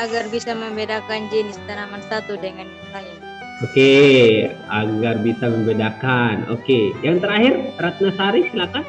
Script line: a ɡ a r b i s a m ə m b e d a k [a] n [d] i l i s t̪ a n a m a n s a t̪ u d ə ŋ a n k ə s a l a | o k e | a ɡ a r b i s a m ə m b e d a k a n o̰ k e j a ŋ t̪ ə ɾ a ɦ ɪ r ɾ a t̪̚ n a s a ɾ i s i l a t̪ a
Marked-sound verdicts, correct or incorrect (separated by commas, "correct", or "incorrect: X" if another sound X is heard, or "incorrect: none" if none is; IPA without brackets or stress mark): correct, incorrect: d͡ʒ